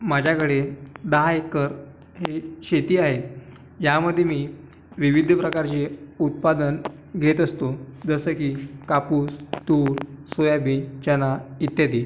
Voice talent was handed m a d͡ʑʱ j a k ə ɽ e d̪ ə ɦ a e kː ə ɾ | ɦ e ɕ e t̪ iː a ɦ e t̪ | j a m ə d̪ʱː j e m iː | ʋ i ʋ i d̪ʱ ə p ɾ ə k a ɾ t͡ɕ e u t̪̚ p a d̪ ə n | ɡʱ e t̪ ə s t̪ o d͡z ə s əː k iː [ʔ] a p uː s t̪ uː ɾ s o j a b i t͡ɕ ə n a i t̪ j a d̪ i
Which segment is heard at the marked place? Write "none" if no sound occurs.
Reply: k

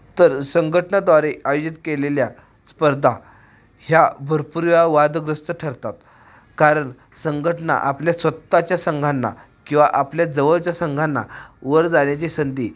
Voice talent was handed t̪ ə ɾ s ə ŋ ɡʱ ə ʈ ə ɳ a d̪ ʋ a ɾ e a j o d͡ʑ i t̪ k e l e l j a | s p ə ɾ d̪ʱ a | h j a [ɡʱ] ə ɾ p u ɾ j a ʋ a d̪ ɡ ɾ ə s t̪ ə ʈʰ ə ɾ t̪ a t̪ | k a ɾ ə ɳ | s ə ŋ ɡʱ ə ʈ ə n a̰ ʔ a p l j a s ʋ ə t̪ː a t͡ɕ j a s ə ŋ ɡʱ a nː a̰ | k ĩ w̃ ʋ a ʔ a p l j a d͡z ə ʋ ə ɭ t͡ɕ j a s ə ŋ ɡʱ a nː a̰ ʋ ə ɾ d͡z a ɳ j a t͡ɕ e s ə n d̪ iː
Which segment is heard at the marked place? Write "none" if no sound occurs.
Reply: bʱ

